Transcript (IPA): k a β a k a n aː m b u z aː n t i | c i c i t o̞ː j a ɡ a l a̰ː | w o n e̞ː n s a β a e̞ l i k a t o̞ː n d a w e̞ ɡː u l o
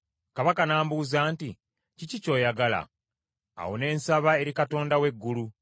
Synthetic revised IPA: k a β a k a n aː m b u z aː n t i | c i c i c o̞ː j a ɡ a l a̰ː | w o n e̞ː n s a β a e̞ ɾ i k a t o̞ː n d a w e̞ ɡː u l u